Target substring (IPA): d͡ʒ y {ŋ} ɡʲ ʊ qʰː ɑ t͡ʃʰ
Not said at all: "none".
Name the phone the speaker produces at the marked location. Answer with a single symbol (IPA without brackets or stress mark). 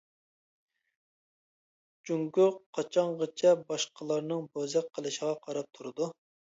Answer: ŋ